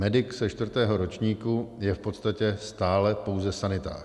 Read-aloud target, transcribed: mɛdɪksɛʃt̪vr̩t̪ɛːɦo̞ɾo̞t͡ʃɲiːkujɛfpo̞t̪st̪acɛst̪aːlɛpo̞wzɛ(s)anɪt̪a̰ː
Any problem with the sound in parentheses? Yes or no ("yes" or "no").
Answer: no